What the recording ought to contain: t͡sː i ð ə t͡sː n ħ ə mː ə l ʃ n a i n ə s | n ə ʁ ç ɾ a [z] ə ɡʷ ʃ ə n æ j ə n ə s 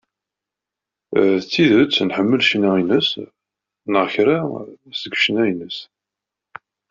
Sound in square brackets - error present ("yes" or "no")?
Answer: yes